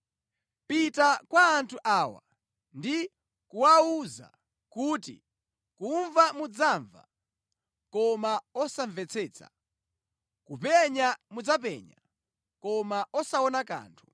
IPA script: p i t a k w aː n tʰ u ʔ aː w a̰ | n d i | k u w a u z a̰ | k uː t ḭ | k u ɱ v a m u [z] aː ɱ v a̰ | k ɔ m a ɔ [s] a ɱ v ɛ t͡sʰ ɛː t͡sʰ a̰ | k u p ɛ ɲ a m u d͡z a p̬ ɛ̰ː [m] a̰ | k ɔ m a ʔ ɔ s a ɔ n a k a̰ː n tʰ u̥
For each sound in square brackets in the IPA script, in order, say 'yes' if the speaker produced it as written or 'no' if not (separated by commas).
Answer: no, yes, no